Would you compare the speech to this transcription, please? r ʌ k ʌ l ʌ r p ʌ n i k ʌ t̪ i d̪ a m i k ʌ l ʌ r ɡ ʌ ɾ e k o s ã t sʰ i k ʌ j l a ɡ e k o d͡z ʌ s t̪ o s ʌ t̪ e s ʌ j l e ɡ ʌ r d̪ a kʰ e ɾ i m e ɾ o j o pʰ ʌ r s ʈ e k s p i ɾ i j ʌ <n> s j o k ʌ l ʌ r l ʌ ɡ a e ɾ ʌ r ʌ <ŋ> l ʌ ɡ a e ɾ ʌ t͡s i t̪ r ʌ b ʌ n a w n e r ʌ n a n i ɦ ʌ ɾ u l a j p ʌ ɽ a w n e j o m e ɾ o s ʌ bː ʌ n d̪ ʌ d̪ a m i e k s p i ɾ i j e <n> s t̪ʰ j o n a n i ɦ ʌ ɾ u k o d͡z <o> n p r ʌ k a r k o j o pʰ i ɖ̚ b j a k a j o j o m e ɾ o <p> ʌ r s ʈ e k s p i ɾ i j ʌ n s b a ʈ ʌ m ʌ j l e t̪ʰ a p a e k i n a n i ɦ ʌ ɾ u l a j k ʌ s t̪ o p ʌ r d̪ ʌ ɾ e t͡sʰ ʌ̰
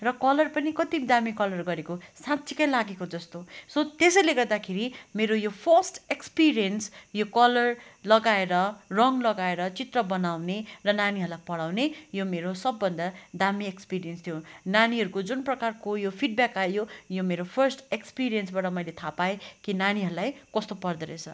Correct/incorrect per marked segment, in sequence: correct, correct, correct, incorrect: u, incorrect: pʰ

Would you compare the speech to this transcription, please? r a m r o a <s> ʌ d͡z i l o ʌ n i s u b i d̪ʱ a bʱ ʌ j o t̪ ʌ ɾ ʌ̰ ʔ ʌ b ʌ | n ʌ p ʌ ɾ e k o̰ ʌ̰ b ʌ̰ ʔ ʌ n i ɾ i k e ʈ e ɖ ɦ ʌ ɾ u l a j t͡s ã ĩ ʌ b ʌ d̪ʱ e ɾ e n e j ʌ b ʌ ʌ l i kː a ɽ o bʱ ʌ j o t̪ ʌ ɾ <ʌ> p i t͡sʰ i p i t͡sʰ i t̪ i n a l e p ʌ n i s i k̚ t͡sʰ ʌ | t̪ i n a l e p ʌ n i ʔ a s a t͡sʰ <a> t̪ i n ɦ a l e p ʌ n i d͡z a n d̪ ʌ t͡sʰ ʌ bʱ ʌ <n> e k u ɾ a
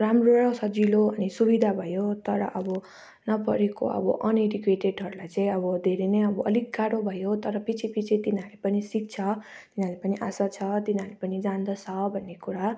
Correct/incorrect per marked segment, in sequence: correct, correct, incorrect: ʌ, incorrect: nː

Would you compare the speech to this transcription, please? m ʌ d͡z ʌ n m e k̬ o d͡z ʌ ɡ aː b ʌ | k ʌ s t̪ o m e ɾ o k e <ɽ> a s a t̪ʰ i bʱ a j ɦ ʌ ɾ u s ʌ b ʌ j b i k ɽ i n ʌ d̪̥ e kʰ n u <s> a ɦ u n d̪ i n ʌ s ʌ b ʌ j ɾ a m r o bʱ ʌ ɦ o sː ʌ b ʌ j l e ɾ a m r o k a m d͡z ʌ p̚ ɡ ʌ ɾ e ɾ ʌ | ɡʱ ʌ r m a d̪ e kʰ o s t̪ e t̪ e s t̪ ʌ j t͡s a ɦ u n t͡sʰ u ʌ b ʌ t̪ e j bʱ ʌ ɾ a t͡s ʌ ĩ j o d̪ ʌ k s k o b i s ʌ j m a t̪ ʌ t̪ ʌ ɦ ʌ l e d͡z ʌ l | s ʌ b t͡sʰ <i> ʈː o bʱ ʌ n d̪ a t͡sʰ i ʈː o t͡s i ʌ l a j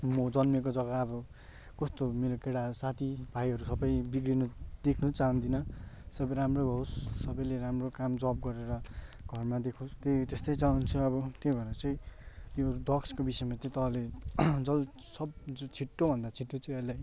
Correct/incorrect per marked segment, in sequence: correct, incorrect: t͡s, correct

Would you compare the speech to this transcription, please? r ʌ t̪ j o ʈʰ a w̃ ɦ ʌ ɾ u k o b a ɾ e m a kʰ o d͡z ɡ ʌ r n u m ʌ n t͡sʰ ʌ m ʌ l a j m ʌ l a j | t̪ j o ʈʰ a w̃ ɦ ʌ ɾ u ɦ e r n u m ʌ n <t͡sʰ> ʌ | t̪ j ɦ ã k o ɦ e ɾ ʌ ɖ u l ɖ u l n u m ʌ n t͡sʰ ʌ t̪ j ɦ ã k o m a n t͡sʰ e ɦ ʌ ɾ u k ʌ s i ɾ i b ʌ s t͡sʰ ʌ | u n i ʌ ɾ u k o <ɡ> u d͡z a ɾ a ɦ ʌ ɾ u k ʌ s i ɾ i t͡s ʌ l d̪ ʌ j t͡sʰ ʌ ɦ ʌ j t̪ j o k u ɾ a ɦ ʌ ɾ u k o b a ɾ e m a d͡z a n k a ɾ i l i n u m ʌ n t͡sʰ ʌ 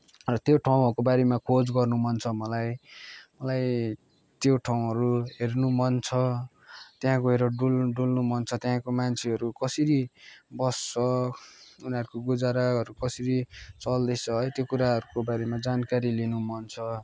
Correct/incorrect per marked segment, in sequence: correct, correct

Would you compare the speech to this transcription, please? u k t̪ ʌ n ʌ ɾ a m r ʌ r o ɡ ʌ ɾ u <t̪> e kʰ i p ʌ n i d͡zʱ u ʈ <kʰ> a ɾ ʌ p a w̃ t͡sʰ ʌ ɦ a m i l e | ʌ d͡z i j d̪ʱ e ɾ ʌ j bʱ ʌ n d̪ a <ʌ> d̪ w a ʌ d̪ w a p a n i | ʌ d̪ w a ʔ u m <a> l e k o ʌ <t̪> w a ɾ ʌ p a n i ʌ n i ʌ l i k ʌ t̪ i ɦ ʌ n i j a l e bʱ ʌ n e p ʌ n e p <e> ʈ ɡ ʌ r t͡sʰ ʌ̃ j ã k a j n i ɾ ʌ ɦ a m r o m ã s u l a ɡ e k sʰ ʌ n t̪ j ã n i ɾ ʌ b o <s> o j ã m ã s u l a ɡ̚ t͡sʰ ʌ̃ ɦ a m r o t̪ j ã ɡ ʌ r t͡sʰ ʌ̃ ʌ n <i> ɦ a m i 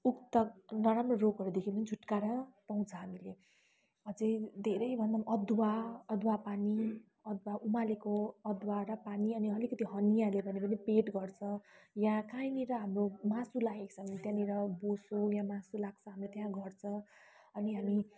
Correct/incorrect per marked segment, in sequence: incorrect: d̪, incorrect: k, correct, correct, incorrect: d̪, correct, correct, correct

